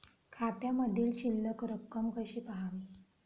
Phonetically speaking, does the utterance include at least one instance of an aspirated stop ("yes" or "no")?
yes